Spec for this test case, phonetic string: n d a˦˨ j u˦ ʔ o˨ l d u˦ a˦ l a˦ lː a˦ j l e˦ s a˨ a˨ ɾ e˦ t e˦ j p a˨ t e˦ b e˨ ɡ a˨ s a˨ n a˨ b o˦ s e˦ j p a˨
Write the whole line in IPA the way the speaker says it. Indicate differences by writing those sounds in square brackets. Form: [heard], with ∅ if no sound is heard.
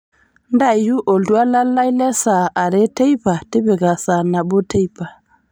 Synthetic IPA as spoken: n d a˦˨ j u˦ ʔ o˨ l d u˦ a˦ l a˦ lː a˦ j l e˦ s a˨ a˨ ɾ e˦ t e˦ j p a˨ t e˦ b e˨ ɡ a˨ s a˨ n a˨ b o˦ [t] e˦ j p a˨